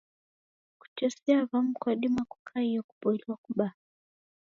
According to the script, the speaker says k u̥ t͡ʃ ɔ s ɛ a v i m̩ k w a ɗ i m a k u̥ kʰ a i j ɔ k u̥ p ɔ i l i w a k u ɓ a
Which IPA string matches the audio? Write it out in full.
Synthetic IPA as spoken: k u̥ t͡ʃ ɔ s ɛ a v a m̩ k w a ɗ i m a k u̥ kʰ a i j ɔ k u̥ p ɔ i l i w a k u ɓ a